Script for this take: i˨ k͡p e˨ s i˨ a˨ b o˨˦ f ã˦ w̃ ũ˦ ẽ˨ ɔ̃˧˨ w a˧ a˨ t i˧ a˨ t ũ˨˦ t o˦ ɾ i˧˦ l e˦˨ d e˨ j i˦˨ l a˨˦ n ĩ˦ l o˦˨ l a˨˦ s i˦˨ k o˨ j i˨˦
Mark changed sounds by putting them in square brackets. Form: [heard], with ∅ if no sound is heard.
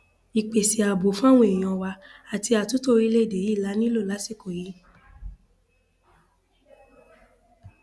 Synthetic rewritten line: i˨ k͡p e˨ s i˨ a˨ b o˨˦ f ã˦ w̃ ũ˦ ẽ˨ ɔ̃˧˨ w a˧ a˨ t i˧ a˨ t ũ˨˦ t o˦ ɾ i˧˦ l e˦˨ d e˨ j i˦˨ l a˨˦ n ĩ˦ l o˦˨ l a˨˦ s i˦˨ k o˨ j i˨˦